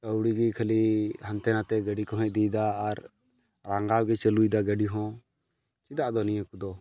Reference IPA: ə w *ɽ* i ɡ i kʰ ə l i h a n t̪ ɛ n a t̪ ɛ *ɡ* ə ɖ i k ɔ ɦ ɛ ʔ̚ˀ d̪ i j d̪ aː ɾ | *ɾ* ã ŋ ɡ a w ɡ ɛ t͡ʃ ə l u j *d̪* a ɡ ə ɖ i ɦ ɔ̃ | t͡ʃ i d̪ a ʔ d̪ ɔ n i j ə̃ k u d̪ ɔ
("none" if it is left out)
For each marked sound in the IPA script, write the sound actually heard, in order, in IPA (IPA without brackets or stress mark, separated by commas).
ɽ, ɡ, ɾ, d̪